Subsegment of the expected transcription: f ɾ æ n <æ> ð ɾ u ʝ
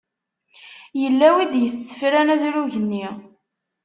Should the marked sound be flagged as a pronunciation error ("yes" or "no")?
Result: no